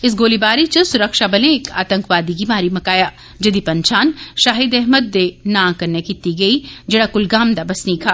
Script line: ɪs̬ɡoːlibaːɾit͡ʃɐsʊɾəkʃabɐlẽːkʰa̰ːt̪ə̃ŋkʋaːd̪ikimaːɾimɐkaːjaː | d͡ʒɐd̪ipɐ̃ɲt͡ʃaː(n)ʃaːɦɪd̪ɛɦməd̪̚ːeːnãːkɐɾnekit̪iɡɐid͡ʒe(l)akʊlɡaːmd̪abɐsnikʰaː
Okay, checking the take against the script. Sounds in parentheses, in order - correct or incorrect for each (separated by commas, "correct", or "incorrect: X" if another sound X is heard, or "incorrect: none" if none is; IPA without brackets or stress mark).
correct, incorrect: ɽ